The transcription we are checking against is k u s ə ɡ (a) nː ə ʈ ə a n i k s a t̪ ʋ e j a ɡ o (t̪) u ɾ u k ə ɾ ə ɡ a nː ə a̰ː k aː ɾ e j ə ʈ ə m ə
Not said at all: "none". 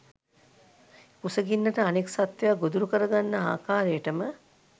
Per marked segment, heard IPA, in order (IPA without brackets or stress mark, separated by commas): i, d̪